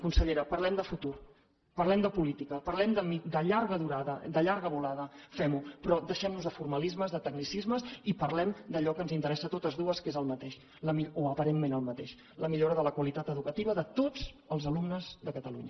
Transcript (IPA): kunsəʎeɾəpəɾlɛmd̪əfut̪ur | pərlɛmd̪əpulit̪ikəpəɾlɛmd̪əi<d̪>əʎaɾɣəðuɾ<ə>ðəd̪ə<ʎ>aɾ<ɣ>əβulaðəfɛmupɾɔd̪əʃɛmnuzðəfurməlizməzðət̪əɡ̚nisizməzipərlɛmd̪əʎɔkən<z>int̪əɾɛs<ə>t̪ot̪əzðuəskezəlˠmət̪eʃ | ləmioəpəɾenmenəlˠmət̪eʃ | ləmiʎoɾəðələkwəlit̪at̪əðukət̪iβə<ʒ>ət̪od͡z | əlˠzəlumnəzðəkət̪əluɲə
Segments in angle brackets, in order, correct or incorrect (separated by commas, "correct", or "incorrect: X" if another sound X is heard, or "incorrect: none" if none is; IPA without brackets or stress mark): correct, incorrect: a, correct, correct, correct, correct, incorrect: ð